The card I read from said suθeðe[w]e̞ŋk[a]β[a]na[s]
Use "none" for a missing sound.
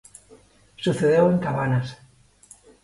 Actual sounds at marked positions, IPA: w, a, a, s

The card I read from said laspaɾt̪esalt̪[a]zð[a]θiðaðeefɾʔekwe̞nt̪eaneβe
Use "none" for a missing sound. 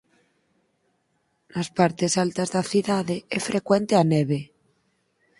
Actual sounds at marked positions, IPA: a, a

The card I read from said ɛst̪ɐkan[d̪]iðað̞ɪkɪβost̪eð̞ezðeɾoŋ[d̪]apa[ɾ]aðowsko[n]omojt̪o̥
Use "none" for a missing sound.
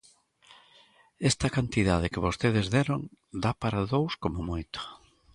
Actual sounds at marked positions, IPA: t̪, d̪, ɾ, m

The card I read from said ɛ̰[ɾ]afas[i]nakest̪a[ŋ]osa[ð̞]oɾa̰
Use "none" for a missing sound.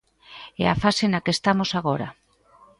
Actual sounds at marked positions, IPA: none, e, m, ɣ̞

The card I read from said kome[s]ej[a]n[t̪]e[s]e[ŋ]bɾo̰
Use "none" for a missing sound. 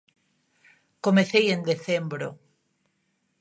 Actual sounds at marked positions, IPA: θ, e, d̪, θ, m

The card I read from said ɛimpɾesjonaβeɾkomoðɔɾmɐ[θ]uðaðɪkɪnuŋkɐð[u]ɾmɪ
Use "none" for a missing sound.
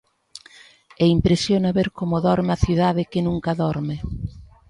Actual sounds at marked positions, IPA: θ, ɔ

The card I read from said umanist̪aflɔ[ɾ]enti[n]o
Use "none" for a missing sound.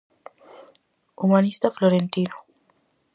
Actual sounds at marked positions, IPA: ɾ, n

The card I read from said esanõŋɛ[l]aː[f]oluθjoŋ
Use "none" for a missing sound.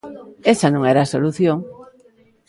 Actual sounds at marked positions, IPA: ɾ, s

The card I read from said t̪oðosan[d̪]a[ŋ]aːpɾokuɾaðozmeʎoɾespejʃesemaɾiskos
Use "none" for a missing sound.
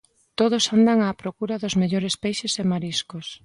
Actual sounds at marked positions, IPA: d̪, ŋ

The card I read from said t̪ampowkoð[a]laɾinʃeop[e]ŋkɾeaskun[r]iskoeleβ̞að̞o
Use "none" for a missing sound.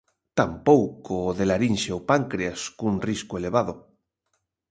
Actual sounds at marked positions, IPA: e, a, r

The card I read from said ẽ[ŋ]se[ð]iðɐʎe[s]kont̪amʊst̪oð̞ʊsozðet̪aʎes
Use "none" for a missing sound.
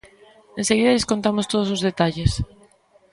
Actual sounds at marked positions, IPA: n, ɣ, s

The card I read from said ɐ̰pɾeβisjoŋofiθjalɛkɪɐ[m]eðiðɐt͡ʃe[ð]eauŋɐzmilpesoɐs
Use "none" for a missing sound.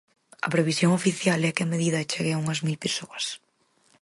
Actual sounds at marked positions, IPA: m, ɣ

